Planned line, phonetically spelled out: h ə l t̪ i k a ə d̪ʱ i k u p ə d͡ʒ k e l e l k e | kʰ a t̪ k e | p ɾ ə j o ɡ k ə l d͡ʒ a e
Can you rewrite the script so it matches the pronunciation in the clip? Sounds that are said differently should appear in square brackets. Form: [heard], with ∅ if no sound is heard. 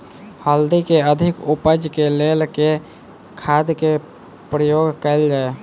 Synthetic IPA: h ə l [d̪] i k [e] ə d̪ʱ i k u p ə d͡ʒ k e l e l k e | kʰ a [d̪] k e | p ɾ ə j o ɡ k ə l d͡ʒ a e

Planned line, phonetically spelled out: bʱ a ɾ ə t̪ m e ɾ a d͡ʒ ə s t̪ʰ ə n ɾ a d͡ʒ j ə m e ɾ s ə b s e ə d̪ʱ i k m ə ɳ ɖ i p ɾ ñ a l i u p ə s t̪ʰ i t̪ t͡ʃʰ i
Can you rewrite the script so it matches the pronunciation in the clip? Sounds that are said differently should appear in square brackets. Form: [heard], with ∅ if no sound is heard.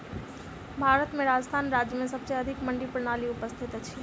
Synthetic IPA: bʱ a ɾ ə t̪ m e ɾ a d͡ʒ ə s t̪ʰ [a] n ɾ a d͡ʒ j ə m e [∅] s ə b s e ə d̪ʱ i k m ə ɳ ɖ i p ɾ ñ a l i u p ə s t̪ʰ i t̪ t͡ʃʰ i

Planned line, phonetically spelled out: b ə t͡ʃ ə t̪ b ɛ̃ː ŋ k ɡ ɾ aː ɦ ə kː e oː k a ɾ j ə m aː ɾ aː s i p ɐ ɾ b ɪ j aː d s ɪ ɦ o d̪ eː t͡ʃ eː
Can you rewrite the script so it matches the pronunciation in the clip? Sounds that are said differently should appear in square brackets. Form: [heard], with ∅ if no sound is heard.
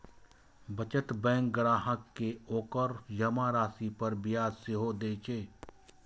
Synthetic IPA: b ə t͡ʃ ə t̪ b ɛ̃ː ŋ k ɡ ɾ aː ɦ ə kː e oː k [ə] ɾ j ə m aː ɾ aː s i p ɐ ɾ b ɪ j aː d s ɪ ɦ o d̪ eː t͡ʃ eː

